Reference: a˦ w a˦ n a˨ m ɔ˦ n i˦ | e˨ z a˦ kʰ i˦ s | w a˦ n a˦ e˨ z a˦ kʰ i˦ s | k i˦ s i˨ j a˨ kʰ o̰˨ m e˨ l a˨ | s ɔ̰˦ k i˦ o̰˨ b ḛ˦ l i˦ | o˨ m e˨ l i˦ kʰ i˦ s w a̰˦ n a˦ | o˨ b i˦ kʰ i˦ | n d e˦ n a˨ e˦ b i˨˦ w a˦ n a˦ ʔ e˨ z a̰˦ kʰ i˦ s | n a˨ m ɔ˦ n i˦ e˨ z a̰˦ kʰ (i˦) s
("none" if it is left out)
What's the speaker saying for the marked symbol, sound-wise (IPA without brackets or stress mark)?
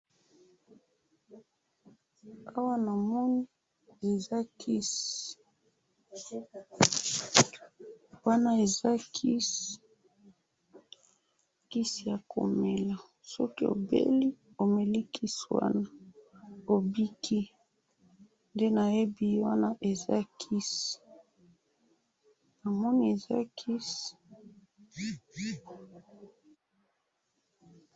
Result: i˦